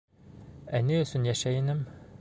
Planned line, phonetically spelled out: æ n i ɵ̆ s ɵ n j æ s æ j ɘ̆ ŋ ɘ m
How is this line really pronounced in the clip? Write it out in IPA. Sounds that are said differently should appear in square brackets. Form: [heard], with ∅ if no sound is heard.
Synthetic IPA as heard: æ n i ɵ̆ s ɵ n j æ [ʃ] æ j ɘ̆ [n] ɘ m